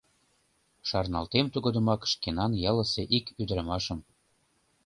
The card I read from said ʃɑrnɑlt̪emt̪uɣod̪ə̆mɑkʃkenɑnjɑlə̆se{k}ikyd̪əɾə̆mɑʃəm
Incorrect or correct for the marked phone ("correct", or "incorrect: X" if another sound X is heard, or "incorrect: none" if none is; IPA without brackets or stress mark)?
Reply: incorrect: ʔ